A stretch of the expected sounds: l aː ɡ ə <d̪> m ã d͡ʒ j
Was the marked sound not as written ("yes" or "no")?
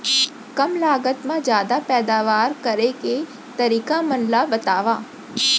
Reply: yes